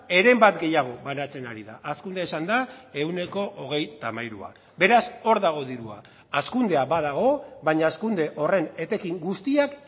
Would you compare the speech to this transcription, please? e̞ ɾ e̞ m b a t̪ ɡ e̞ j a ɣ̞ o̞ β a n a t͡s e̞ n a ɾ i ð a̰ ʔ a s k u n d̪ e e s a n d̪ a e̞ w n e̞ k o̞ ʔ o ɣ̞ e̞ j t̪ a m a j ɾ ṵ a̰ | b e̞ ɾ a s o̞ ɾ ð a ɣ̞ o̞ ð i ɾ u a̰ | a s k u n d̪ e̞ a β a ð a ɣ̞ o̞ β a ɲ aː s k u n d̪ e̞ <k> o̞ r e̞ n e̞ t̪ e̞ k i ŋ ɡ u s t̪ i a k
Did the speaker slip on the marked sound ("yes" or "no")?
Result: yes